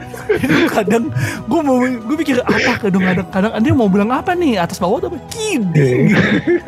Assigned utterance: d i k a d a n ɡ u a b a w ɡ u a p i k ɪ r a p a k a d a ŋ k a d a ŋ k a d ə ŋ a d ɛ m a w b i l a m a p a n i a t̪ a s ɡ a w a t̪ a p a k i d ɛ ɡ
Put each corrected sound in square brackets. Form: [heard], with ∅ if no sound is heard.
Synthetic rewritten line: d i k a d a [ŋ] ɡ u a [m] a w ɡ u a p i k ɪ r a p a k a d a ŋ k a d a ŋ k a d [a] ŋ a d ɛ m a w b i l a [ŋ] a p a n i a t̪ a s [b] a w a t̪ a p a k i d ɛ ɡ